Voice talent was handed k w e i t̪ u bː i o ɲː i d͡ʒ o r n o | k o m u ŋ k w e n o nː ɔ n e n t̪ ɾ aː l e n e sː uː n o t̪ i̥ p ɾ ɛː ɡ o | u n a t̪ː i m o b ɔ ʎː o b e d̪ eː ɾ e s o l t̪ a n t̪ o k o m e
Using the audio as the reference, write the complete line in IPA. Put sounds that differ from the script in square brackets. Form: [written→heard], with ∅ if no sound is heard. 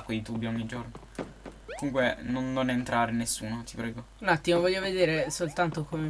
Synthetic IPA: k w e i t̪ u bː i o ɲː i d͡ʒ o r n o | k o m u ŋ k w e n o nː [ɔ→o] n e n t̪ ɾ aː [l→ɾ] e n e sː uː n o t̪ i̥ p ɾ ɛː ɡ o | u n a t̪ː i m o [b→v] ɔ ʎː o [b→v] e d̪ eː ɾ e s o l t̪ a n t̪ o k o m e